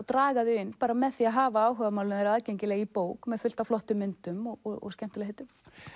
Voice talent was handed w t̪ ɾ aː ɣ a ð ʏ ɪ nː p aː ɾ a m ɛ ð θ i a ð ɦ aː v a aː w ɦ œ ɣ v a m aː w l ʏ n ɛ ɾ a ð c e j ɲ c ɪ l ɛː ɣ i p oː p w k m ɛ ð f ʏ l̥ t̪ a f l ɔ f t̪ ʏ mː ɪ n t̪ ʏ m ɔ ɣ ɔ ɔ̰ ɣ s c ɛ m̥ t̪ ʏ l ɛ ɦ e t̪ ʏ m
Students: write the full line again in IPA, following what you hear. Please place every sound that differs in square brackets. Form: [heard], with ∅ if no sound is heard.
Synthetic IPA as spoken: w t̪ ɾ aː ɣ a ð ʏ ɪ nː p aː ɾ a m ɛ ð θ i a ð ɦ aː v a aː w ɦ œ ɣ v a m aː w l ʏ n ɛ ɾ a ð c e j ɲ c ɪ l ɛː ɣ i p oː [∅] w k m ɛ ð f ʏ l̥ t̪ a f l ɔ [h] t̪ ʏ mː ɪ n t̪ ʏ m ɔ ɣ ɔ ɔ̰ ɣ s c ɛ m̥ t̪ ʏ l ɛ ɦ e t̪ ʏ m